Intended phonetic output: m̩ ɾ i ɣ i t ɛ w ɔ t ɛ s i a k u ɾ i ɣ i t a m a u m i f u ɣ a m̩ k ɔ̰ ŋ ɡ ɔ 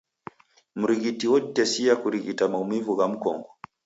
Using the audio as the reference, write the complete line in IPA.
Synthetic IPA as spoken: m̩ ɾ i ɣ i t i w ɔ t ɛ s i a k u ɾ i ɣ i t a m a u m i v u ɣ a m̩ k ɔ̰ ŋ ɡ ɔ